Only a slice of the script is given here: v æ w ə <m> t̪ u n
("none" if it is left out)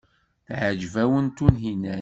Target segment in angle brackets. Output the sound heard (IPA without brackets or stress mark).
n